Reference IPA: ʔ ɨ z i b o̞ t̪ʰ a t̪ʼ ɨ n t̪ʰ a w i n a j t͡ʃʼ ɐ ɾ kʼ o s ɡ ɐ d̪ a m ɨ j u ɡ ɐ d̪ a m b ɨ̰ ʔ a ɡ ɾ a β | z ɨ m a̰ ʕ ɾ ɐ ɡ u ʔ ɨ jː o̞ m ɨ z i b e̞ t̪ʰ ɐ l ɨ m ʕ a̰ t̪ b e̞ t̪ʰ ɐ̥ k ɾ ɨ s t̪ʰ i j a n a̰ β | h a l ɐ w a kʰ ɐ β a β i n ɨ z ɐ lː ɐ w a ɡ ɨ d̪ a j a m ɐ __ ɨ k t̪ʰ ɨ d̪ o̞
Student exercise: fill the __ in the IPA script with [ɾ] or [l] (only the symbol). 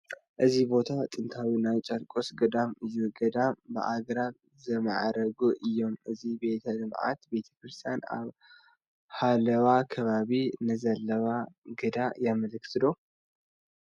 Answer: l